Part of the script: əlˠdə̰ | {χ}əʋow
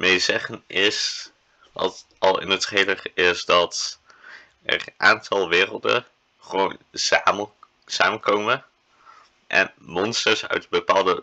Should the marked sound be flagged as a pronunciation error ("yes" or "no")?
no